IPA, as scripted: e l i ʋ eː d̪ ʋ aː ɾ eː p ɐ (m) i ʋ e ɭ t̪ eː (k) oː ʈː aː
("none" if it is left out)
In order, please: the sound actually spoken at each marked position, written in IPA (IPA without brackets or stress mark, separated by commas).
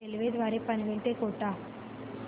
n, k